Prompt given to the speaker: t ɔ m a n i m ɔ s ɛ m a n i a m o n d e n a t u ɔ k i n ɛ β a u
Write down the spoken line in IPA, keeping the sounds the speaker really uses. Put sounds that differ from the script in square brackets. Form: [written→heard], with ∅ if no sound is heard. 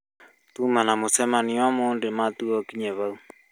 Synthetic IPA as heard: t [ɔ→u] m a n [i→a] m [ɔ→o] s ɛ m a n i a m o n d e [n→m] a t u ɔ k i [n→ɲ] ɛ β a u